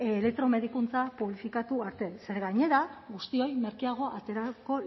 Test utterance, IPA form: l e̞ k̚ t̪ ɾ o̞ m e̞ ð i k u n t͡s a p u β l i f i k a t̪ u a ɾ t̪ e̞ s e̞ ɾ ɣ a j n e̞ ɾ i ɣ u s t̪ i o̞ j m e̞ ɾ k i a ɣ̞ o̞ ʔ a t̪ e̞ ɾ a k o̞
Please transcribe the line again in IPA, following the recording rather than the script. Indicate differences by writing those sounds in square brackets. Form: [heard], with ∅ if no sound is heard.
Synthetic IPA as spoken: l e̞ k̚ t̪ ɾ o̞ m e̞ ð i k u n t͡s a p u β l i f i k a t̪ u a ɾ t̪ e̞ s e̞ ɾ ɣ a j [ɲ] e̞ ɾ [a] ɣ u s t̪ i o̞ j m e̞ ɾ k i a ɣ̞ o̞ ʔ a t̪ e̞ ɾ a k o̞